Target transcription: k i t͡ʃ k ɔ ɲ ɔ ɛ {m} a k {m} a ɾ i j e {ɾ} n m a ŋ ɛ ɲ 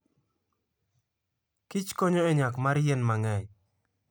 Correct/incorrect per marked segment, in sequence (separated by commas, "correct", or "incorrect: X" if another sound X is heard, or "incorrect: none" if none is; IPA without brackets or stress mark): incorrect: ɲ, correct, incorrect: none